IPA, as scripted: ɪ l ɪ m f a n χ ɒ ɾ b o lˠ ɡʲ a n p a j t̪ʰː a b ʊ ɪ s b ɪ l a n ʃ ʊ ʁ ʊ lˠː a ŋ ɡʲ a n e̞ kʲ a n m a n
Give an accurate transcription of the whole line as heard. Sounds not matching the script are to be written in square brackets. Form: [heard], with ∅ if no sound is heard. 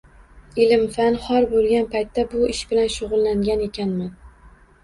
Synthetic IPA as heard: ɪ l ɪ m f a n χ ɒ ɾ b o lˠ ɡʲ a n p a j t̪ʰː a b ʊ ɪ [ʃ] b ɪ l a n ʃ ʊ ʁ ʊ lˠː a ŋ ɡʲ a n e̞ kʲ a n m a n